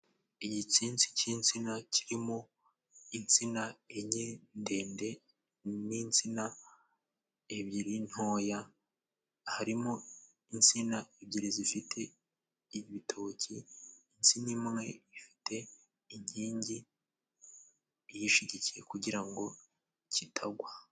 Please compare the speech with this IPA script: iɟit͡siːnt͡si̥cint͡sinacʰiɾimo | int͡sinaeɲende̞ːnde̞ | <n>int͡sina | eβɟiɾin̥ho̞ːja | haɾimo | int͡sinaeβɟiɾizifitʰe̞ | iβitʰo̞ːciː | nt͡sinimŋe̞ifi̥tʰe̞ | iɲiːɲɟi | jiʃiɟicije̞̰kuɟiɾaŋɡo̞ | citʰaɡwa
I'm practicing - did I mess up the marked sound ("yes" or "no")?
no